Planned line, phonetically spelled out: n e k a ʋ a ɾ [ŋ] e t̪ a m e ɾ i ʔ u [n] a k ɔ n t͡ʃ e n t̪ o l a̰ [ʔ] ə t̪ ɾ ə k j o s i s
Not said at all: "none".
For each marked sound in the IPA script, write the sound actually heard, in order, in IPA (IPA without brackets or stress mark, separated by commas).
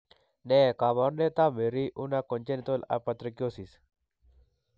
n, n, p